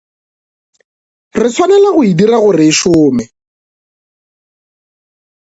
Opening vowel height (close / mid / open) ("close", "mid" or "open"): close